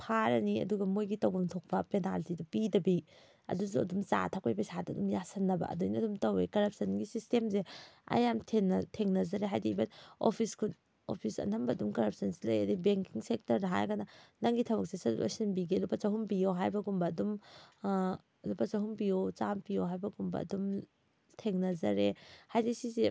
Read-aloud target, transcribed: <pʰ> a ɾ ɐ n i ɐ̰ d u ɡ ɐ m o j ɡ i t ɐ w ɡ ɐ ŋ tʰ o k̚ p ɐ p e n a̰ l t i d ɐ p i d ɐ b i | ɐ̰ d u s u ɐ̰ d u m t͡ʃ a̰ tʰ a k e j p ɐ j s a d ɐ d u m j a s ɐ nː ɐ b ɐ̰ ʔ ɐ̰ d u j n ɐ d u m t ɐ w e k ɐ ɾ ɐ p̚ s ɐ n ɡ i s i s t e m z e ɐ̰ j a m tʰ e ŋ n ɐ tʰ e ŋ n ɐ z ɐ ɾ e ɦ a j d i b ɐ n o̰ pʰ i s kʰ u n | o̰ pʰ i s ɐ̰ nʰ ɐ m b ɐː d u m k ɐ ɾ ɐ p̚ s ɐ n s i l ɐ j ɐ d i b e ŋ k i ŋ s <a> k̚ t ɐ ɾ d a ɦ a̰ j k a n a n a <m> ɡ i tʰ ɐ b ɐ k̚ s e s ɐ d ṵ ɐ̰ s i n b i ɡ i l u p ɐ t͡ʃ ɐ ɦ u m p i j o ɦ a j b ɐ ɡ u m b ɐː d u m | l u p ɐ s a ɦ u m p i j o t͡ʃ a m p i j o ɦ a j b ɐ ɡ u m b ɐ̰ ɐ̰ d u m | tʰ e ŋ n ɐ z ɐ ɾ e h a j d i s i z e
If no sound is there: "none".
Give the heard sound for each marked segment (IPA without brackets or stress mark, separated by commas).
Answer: pʰ, e, ŋ